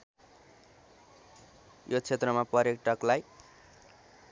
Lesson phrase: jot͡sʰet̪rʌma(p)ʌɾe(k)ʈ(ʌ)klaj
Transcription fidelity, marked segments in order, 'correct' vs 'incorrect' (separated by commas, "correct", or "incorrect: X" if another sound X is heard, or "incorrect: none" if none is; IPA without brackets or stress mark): correct, correct, correct